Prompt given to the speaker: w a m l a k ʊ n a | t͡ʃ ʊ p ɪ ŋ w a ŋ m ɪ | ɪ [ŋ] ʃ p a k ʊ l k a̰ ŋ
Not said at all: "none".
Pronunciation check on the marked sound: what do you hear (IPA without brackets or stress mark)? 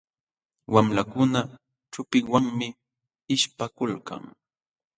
none